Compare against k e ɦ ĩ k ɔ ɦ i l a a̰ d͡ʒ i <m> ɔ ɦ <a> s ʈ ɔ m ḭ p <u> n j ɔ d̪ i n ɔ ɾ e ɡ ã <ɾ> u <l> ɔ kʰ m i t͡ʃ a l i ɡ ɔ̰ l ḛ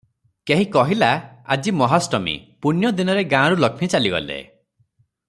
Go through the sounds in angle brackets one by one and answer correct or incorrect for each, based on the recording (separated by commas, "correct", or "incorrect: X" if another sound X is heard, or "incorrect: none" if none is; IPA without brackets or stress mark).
correct, correct, correct, correct, correct